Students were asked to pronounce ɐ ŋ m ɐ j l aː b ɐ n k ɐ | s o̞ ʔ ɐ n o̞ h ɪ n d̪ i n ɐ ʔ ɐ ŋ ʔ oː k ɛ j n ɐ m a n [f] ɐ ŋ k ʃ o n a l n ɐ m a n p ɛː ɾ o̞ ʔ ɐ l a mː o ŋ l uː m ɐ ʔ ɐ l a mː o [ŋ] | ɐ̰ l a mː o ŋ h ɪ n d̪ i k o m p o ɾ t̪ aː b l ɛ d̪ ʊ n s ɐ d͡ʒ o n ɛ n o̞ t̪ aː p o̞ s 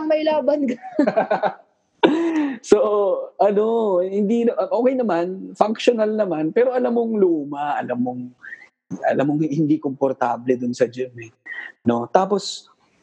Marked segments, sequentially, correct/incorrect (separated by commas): correct, correct